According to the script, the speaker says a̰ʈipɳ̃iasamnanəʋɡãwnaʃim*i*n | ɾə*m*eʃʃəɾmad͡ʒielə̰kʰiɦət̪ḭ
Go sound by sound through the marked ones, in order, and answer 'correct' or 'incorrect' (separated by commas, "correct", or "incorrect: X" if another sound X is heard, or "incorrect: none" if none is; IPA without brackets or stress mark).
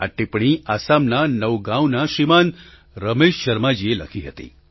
incorrect: a, correct